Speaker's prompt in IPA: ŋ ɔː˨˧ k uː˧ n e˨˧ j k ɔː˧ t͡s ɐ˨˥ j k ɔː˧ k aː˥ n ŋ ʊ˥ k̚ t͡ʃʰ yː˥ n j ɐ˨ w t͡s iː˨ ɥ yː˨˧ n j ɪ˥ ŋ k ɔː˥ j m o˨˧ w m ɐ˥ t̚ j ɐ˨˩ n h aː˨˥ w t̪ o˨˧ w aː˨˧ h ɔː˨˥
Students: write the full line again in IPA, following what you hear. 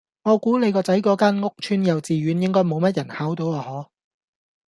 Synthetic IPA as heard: ŋ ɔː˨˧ k uː˨˥ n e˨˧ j k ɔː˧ t͡s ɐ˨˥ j k ɔː˨˥ k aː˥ n ŋ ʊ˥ k̚ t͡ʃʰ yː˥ n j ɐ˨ w t͡s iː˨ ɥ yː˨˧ n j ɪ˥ ŋ k ɔː˥ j m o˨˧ w m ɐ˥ t̚ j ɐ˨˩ n h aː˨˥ w t̪ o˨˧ w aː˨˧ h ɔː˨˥